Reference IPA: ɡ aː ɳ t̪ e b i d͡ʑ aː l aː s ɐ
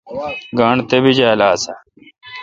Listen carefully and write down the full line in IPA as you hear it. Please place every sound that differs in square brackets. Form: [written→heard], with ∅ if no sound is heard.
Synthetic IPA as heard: ɡ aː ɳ t̪ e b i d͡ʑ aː l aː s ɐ